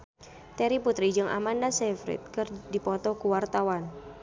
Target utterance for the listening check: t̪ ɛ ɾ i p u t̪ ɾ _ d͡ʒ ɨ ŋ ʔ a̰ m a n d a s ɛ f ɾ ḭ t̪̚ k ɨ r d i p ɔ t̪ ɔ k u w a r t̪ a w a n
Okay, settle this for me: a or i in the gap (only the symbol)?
i